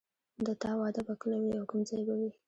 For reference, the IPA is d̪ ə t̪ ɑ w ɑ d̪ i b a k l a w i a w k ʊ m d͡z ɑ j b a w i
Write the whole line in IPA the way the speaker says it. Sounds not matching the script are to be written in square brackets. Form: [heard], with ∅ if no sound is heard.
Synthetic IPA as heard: d̪ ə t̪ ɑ w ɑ d̪ [a] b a k l a w i a w k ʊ m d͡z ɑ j b a w i